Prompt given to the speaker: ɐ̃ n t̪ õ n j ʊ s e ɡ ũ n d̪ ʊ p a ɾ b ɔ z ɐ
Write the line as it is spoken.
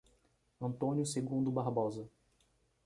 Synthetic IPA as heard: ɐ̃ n t̪ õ n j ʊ s e ɡ ũ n d̪ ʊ b a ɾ b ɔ z ɐ